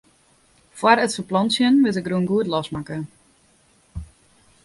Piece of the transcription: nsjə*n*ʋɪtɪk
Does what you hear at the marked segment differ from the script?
no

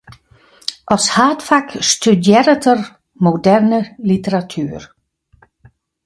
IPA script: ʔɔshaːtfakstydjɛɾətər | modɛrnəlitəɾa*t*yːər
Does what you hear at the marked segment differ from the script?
yes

